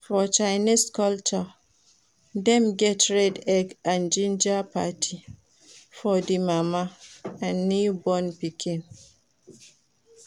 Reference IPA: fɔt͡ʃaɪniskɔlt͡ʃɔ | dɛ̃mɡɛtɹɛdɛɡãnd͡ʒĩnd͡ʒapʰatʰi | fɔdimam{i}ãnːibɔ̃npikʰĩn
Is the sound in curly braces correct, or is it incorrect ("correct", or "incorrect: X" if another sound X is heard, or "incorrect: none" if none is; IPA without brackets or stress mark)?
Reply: incorrect: a